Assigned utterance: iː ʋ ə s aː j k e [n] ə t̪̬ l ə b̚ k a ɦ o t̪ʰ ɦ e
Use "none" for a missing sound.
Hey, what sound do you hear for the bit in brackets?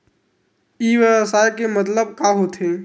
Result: m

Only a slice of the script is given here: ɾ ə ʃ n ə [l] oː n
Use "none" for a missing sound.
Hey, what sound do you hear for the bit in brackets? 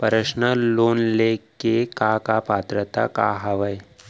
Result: l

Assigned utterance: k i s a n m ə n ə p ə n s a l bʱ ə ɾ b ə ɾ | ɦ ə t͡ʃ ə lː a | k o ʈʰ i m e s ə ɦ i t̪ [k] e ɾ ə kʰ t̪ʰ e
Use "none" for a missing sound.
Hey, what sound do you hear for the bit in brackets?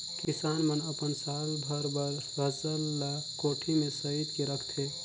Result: k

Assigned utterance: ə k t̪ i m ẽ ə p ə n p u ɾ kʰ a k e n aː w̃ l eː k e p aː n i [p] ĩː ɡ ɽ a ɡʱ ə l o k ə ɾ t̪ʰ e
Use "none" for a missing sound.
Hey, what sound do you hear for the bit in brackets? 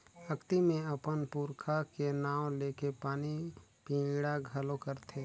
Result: p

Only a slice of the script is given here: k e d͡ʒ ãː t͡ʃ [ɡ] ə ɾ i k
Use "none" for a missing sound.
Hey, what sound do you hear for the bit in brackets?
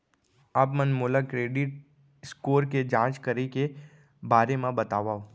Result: k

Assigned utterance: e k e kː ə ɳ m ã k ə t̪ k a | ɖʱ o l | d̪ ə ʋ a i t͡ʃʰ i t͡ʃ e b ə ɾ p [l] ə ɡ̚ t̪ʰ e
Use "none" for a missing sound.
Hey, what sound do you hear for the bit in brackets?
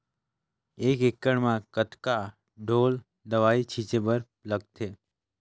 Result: l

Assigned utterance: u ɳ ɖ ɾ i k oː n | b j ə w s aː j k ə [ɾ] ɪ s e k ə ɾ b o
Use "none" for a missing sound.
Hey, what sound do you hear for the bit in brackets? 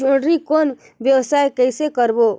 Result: none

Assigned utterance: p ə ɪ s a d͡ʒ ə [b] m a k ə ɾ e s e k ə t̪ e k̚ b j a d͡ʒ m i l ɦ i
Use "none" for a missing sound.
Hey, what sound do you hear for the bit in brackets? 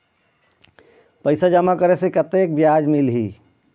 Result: none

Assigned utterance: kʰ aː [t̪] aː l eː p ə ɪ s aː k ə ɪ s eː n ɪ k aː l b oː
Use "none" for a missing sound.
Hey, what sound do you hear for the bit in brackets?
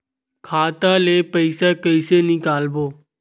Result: t̪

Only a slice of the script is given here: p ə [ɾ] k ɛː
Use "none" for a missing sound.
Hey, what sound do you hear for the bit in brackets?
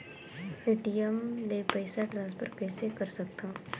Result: ɾ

